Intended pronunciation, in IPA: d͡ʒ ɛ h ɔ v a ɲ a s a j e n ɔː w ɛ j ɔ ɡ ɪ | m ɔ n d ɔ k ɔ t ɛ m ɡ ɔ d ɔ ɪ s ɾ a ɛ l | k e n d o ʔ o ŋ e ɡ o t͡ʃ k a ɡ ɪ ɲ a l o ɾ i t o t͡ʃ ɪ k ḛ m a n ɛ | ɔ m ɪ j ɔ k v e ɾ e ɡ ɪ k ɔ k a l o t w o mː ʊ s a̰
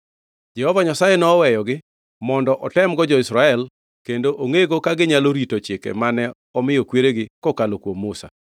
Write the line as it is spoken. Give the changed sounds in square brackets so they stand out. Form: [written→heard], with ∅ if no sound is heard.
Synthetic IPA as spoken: d͡ʒ ɛ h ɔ v a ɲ a s a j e n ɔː w ɛ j ɔ ɡ ɪ | m ɔ n d ɔ [k→ʔ] ɔ t ɛ m ɡ ɔ [d→d͡ʒ] ɔ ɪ s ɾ a ɛ l | k e n d o ʔ o ŋ e ɡ o [t͡ʃ→∅] k a ɡ ɪ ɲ a l o ɾ i t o t͡ʃ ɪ k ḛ m a n ɛ | ɔ m ɪ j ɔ k [v→w] e ɾ e ɡ ɪ k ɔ k a l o [t→k] w o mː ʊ s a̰